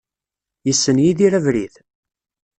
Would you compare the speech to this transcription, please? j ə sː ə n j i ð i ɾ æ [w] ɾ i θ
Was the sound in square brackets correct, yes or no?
no